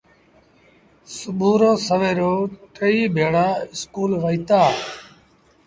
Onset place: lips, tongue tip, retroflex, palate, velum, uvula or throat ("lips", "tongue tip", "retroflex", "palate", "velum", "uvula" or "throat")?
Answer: tongue tip